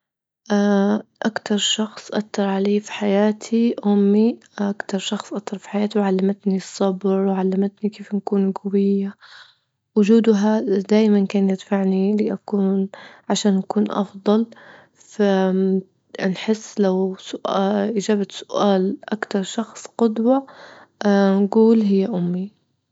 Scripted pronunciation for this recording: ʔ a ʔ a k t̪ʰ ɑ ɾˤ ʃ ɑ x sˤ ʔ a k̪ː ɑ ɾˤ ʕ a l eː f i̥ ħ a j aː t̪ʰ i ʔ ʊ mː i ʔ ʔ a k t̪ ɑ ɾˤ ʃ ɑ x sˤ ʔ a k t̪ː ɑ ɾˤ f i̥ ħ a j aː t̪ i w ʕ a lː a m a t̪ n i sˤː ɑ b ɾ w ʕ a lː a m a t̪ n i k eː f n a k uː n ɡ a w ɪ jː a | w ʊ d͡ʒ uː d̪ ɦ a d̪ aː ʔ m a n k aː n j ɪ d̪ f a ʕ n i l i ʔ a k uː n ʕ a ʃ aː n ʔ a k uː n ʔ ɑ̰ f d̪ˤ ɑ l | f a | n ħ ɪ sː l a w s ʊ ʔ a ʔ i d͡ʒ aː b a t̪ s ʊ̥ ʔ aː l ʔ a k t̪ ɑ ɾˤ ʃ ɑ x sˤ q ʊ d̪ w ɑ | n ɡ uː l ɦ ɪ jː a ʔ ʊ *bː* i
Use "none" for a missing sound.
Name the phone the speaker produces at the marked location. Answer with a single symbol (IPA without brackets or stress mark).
mː